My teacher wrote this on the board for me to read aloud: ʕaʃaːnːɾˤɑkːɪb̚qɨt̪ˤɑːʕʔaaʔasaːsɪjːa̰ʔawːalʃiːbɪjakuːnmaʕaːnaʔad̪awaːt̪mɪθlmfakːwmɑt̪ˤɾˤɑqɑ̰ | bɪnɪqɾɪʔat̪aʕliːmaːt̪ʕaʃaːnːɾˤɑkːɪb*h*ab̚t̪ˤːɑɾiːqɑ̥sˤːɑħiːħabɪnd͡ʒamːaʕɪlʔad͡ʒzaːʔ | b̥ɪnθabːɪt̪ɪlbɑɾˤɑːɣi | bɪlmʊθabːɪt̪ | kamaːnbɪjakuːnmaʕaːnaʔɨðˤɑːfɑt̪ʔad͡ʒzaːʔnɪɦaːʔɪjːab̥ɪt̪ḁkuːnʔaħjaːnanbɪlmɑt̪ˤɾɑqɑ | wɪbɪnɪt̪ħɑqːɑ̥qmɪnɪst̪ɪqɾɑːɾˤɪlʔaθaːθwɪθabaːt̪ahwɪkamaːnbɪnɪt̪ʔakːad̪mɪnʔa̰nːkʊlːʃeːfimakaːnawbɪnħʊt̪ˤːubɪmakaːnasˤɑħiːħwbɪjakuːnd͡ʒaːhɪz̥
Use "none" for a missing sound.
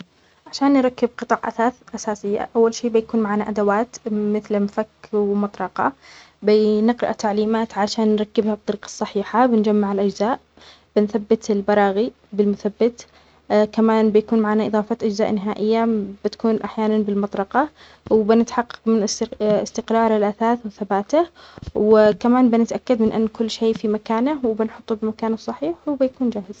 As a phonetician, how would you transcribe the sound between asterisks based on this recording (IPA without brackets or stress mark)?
h